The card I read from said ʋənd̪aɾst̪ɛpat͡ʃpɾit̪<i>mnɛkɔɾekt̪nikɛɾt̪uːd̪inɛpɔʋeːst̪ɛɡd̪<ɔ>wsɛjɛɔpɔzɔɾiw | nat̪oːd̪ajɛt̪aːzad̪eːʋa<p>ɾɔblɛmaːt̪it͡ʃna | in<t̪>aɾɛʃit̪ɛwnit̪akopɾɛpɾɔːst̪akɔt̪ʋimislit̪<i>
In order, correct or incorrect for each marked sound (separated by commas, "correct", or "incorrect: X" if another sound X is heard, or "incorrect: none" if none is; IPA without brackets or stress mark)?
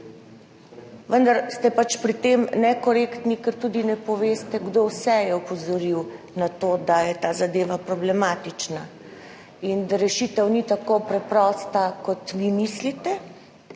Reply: incorrect: e, incorrect: o, correct, incorrect: d̪, incorrect: ɛ